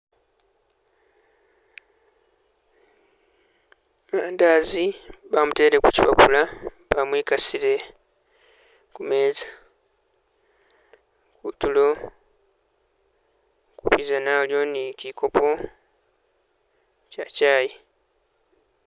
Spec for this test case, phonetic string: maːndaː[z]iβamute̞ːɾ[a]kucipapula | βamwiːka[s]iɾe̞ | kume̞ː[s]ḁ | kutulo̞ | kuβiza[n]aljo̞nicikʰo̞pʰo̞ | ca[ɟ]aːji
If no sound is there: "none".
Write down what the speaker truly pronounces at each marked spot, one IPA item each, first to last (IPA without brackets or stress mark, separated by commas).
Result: z, e, s, z, n, c